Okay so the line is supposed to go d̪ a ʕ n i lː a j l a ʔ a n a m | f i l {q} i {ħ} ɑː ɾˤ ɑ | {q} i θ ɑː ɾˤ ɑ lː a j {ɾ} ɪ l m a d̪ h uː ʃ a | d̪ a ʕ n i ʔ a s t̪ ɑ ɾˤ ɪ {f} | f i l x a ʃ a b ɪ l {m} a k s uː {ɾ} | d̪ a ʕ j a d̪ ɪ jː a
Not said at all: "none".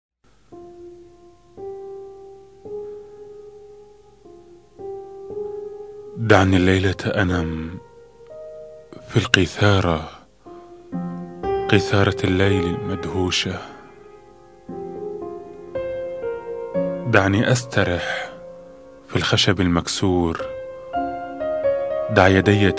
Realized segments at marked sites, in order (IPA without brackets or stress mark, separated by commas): q, θ, q, l, ħ, m, ɾ